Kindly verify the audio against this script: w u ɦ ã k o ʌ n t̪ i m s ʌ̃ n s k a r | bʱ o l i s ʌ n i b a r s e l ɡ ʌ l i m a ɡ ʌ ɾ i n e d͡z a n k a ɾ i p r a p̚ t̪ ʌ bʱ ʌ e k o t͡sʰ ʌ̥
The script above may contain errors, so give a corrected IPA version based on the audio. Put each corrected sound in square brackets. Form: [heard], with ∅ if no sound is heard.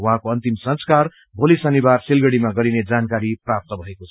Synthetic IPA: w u ɦ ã k o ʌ n t̪ i m s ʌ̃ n s k a r | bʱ o l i s ʌ n i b a r s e l ɡ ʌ [ɽ] i m a ɡ ʌ ɾ i n e d͡z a n k a ɾ i p r a p̚ t̪ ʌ bʱ ʌ e k o t͡sʰ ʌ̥